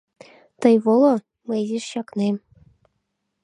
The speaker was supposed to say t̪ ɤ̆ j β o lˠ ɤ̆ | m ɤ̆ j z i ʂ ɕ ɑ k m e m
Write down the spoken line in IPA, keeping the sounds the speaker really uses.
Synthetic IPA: t̪ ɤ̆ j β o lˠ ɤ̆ | m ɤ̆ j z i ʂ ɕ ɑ k n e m